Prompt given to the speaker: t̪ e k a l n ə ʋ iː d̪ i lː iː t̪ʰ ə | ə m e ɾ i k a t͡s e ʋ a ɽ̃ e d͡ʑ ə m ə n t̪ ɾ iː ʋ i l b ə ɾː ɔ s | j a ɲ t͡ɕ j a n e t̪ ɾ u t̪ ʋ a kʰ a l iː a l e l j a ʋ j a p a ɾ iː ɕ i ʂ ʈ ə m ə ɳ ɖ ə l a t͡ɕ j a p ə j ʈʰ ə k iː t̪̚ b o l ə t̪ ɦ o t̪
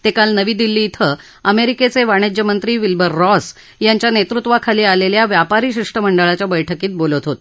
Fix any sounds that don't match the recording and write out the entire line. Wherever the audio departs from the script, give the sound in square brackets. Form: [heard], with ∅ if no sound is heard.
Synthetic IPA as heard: t̪ e k a l n ə ʋ iː d̪ i lː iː t̪ʰ ə | ə m e ɾ i k [e] t͡s e ʋ a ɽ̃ e d͡ʑ ə m ə n t̪ ɾ iː ʋ i l b ə ɾː ɔ s | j a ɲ t͡ɕ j a n e t̪ ɾ u t̪ ʋ a kʰ a l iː a l e l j a ʋ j a p a ɾ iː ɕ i ʂ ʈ ə m ə ɳ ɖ ə [ɭ] a t͡ɕ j a [b] ə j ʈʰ ə k iː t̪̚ b o l ə t̪ ɦ o t̪